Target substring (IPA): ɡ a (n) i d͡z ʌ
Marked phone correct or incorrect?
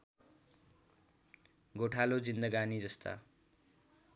correct